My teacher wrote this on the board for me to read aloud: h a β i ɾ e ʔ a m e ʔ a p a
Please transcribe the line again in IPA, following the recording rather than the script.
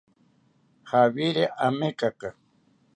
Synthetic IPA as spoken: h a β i ɾ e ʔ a m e k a k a